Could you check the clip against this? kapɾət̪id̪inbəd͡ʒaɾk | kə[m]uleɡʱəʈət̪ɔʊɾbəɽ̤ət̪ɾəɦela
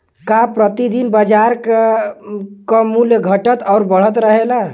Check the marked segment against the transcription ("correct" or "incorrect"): correct